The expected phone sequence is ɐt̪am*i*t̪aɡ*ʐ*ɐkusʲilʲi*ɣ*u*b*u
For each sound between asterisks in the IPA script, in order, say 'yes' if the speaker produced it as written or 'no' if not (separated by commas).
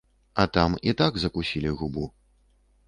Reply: yes, no, yes, yes